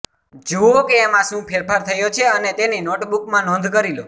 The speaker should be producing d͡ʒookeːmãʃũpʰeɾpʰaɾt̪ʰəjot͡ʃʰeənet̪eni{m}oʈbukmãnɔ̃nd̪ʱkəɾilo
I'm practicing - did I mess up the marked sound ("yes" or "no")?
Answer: yes